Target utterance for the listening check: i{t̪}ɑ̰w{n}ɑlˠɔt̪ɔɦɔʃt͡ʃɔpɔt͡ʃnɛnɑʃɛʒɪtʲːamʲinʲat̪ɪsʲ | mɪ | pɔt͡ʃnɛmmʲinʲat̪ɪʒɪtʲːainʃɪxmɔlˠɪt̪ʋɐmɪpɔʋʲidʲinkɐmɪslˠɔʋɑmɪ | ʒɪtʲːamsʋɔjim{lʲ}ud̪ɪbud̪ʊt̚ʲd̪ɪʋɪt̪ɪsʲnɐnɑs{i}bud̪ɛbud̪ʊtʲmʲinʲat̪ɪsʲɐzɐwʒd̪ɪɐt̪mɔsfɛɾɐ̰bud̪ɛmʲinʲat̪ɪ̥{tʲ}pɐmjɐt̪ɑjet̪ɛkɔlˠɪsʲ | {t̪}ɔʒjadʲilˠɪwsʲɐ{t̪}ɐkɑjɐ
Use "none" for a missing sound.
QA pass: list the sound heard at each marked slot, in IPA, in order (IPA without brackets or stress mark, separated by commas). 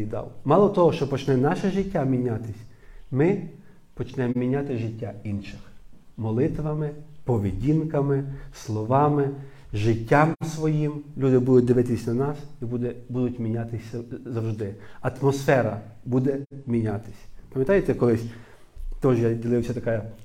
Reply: d̪, m, lʲ, i, sʲ, t̪, t̪